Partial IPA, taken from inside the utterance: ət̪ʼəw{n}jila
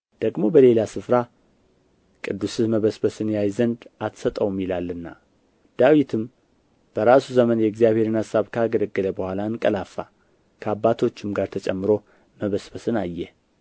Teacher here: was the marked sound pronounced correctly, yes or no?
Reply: no